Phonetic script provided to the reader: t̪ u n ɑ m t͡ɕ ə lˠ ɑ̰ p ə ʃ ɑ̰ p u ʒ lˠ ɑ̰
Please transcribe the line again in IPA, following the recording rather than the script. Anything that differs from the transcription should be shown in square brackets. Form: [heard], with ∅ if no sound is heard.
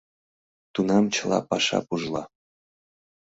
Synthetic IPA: t̪ u n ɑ m t͡ɕ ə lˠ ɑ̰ p [ɑ] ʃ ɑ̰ p u ʒ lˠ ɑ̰